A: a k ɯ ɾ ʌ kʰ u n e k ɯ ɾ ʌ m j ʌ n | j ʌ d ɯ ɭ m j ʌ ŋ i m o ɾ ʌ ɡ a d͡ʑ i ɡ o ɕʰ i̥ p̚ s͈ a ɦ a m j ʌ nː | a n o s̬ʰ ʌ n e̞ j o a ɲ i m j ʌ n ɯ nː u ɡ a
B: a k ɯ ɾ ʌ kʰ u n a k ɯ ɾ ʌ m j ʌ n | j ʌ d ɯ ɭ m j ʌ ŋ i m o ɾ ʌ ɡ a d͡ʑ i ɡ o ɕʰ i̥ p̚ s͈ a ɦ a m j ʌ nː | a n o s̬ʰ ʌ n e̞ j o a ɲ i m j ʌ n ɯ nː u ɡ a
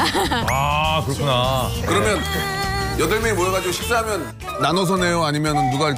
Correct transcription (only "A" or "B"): B